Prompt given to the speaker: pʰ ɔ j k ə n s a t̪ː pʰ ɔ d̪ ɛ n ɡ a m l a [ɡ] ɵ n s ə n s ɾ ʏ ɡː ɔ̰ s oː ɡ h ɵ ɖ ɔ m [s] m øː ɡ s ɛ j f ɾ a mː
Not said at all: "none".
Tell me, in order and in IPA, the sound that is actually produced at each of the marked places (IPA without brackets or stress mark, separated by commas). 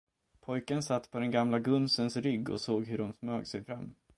ɡ, s